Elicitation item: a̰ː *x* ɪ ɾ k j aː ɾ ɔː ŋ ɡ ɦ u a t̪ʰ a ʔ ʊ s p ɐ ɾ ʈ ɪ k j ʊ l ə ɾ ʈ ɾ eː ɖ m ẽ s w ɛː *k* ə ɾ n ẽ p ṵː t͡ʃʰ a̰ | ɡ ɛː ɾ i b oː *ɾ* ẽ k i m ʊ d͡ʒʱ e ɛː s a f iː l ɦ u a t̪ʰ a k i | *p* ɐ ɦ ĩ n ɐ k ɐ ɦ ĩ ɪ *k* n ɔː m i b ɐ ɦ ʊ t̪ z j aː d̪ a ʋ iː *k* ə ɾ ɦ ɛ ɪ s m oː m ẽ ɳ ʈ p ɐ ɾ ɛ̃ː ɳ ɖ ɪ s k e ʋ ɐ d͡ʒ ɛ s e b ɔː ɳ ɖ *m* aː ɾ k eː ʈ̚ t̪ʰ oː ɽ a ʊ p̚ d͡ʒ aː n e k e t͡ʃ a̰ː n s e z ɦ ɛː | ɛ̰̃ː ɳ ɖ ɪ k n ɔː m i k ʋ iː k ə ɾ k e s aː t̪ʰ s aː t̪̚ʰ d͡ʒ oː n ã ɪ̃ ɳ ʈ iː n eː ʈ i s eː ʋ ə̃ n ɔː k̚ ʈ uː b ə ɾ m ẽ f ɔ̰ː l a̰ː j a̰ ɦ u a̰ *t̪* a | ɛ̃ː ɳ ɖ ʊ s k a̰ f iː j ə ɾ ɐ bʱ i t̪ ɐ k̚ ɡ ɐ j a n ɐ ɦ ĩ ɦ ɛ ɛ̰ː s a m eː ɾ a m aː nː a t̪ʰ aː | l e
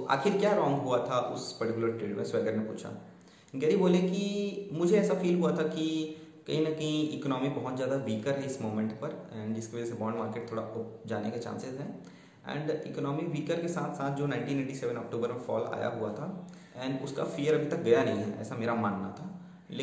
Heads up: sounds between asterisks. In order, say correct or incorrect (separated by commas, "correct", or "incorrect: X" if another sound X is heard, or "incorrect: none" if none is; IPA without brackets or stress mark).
correct, incorrect: ɡ, incorrect: l, incorrect: k, correct, correct, correct, incorrect: t̪ʰ